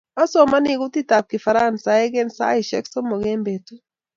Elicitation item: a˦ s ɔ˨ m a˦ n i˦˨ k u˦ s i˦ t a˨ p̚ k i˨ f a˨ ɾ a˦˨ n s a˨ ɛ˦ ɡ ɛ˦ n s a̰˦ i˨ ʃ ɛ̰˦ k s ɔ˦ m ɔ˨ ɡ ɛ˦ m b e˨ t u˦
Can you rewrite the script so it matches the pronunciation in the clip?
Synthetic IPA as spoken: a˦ s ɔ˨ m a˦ n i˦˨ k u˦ t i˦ t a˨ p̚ k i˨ f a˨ ɾ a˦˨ n s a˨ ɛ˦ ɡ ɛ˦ n s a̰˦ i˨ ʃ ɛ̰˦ k s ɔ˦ m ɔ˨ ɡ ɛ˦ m b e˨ t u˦